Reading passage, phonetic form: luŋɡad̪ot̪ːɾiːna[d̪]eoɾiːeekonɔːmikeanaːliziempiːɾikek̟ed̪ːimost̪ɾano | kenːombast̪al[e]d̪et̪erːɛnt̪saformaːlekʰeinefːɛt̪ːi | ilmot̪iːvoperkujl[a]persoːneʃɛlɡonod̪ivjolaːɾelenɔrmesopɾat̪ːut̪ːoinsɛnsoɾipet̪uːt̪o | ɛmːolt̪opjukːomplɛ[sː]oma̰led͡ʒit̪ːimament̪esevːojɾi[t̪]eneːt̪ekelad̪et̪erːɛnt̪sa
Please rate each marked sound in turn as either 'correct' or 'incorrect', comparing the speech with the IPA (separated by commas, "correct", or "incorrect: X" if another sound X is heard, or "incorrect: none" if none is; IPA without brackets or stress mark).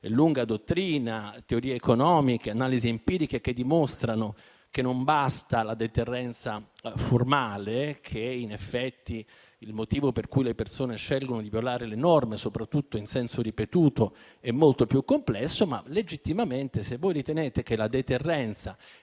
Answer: incorrect: t̪, incorrect: a, incorrect: e, correct, correct